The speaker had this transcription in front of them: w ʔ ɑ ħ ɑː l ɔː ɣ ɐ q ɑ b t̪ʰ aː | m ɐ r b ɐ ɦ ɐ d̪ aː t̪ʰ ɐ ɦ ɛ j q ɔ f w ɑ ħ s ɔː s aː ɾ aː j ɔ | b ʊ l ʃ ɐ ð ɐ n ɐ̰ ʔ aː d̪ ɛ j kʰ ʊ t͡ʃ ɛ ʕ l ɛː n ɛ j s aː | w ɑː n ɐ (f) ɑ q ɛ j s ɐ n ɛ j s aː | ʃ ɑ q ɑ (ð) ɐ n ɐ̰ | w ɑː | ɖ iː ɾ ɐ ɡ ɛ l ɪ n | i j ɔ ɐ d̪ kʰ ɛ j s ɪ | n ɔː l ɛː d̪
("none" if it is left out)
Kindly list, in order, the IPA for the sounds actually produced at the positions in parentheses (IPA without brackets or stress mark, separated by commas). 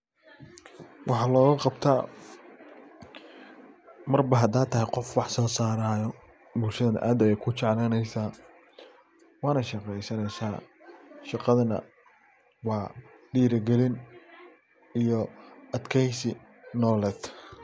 ʃ, ð